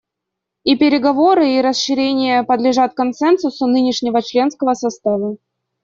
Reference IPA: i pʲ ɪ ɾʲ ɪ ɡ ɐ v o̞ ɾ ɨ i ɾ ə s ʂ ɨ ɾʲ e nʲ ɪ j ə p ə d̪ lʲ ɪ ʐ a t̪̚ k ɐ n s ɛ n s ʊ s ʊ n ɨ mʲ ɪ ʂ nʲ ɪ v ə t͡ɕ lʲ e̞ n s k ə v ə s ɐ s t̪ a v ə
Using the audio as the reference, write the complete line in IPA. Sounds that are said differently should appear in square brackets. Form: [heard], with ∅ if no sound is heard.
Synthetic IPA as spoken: i pʲ ɪ ɾʲ ɪ ɡ ɐ v o̞ ɾ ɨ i ɾ ə s ʂ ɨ ɾʲ e nʲ ɪ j ə p ə d̪ lʲ ɪ ʐ a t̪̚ k ɐ n s ɛ n s ʊ s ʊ n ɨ [nʲ] ɪ ʂ nʲ ɪ v ə t͡ɕ lʲ e̞ n s k ə v ə s ɐ s t̪ a v ə